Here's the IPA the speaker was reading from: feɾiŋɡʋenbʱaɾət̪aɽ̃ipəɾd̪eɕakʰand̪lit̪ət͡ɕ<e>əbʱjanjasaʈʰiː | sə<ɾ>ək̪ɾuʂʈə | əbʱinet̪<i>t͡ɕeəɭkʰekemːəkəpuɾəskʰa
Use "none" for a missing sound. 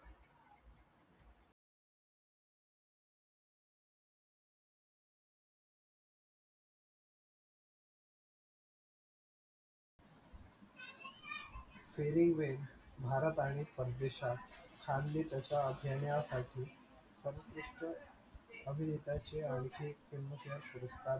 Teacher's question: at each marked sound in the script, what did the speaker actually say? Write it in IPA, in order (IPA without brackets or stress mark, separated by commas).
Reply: a, ɾ, a